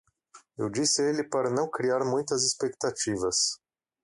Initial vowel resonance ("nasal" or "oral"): oral